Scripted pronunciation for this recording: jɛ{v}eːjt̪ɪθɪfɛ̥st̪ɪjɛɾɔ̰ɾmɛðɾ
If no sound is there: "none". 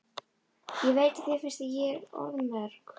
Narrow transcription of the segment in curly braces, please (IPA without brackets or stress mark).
v